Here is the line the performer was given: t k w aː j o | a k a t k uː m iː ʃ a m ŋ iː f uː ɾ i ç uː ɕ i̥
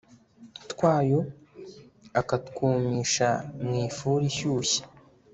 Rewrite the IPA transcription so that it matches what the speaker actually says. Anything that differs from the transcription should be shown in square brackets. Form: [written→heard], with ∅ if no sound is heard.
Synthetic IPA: t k w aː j o | a k a t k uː m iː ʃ a m ŋ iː f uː ɾ i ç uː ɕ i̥